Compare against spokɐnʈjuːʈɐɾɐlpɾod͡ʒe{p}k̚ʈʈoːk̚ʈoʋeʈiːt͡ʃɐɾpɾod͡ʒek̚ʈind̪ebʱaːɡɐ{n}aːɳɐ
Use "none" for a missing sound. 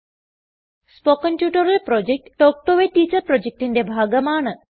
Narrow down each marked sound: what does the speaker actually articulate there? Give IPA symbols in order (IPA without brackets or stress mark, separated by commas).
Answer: none, m